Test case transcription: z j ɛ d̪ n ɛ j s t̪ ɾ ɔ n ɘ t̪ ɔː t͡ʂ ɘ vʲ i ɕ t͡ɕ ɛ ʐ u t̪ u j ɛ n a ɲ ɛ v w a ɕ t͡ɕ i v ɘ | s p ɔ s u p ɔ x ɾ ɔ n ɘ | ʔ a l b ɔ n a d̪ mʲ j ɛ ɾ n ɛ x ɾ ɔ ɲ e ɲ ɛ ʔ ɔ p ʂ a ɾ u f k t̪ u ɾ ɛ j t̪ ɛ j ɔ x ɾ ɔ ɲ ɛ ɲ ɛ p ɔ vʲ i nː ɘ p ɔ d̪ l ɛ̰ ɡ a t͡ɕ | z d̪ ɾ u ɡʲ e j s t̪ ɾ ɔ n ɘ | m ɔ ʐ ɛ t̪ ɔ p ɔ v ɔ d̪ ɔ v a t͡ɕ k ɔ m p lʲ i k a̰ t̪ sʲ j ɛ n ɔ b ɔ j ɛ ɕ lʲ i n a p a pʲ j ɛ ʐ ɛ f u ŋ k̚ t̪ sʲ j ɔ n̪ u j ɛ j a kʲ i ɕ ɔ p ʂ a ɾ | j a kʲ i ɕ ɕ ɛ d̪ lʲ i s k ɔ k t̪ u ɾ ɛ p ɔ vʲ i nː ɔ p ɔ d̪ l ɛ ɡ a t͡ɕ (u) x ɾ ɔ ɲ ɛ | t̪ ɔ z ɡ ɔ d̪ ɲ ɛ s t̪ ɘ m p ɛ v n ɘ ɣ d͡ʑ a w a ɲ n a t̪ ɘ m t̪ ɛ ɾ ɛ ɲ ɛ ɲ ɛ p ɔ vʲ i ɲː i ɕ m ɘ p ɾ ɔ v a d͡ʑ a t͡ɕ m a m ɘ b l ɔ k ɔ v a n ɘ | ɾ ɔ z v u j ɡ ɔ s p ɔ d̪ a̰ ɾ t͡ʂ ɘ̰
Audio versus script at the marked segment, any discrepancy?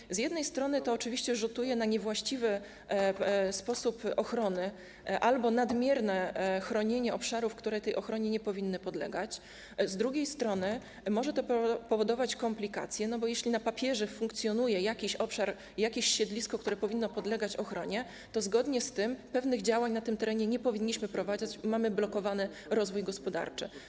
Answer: yes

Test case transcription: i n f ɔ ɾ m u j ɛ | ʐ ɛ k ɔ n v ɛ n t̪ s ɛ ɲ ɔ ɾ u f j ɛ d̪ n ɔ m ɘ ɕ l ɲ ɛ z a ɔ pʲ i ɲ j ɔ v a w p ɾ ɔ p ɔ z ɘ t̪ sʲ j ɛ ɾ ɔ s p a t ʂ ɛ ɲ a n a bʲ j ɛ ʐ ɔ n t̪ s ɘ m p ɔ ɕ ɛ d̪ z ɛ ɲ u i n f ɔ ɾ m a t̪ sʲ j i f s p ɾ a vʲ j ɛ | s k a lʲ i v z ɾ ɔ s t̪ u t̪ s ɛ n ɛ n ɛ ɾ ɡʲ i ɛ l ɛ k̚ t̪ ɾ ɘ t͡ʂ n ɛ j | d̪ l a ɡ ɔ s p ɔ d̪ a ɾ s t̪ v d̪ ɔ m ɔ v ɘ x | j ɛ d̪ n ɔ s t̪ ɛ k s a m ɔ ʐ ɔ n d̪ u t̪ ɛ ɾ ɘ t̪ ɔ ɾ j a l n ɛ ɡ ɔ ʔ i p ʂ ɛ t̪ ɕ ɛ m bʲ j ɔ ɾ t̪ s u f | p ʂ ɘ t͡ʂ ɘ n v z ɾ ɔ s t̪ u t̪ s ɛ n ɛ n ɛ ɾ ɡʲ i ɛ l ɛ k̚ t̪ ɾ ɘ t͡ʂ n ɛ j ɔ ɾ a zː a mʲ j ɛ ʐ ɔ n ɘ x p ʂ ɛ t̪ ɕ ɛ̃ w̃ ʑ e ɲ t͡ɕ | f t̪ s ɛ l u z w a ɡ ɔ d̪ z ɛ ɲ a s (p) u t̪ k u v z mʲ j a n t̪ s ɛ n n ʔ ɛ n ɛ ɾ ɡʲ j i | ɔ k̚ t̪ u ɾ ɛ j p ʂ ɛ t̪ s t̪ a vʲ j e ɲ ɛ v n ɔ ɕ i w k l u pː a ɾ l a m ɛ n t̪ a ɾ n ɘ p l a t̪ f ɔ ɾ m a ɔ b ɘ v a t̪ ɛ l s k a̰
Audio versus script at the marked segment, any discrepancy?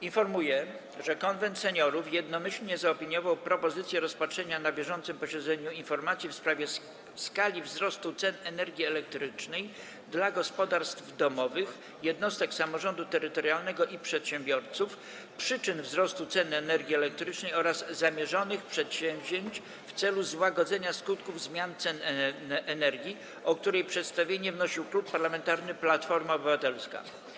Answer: yes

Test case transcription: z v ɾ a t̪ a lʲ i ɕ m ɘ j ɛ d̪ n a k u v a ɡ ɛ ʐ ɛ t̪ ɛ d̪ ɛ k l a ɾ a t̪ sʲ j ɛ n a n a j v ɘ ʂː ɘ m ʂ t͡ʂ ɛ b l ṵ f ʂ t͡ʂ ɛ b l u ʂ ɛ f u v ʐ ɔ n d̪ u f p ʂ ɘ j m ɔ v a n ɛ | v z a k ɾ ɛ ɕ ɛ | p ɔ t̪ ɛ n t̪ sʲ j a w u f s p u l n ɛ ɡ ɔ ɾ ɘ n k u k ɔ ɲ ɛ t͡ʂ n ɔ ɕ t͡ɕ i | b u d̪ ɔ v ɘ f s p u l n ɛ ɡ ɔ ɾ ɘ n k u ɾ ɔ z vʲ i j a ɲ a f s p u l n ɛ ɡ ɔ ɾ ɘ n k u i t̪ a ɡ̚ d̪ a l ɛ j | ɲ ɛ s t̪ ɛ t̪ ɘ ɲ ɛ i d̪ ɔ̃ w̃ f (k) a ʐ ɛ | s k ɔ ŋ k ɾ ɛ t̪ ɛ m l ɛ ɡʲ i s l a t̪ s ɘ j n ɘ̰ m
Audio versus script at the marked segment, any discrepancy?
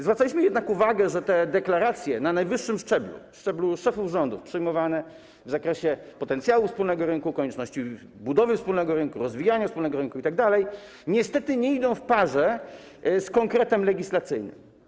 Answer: yes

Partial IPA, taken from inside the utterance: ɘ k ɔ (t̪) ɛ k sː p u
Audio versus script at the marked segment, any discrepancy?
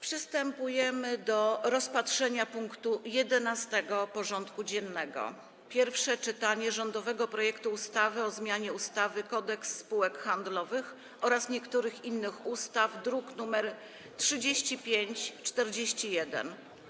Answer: yes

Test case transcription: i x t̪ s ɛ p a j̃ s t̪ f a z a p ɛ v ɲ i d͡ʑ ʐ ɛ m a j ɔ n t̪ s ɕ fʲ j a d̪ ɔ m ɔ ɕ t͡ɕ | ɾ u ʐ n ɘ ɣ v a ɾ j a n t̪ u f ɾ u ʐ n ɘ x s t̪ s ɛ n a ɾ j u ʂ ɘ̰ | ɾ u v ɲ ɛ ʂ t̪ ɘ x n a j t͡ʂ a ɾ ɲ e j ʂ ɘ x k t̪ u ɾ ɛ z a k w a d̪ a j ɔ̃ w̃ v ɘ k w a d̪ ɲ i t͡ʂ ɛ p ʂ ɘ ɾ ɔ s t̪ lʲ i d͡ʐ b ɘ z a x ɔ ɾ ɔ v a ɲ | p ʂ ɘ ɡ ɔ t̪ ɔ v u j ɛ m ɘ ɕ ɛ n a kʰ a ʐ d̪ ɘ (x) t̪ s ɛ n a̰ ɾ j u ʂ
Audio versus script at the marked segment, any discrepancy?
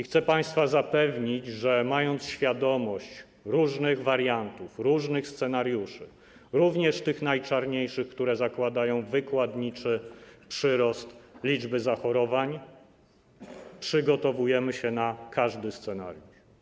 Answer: yes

